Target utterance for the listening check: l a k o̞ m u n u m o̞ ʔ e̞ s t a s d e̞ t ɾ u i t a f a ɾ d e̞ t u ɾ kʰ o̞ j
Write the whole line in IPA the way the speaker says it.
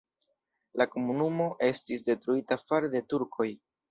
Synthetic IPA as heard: l a k o̞ m u n u m o̞ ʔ e̞ s t i s d e̞ t ɾ u i t a f a ɾ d e̞ t u ɾ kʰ o̞ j